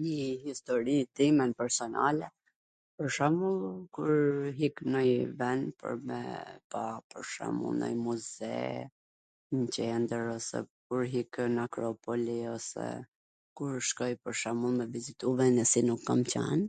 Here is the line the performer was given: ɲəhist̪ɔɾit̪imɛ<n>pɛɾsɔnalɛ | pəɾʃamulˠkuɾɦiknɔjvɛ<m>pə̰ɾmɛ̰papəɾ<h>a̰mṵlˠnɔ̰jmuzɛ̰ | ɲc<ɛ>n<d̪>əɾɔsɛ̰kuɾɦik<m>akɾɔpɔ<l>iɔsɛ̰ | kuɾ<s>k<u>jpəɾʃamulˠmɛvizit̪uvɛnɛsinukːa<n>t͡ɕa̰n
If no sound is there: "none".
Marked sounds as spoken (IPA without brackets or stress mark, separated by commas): n, n, ʃ, ɛ, d̪, n, l, ʃ, ɔ, m